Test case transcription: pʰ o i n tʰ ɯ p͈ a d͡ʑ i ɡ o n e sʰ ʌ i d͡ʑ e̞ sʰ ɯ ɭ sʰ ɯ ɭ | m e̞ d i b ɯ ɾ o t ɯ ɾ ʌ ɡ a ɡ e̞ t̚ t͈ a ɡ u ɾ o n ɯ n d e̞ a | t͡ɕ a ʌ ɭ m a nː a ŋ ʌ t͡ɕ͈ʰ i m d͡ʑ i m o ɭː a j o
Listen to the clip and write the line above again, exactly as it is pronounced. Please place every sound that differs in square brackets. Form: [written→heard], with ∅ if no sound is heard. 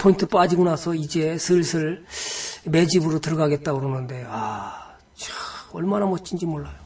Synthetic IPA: pʰ o i n tʰ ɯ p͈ a d͡ʑ i ɡ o n [e→a] sʰ ʌ i d͡ʑ e̞ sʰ ɯ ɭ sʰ ɯ ɭ | m e̞ [d→d͡ʑ] i b ɯ ɾ o t ɯ ɾ ʌ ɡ a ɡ e̞ t̚ t͈ a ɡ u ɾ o n ɯ n d e̞ a | t͡ɕ a ʌ ɭ m a [nː→n] a [ŋ→m] ʌ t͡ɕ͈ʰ i [m→n] d͡ʑ i m o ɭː a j o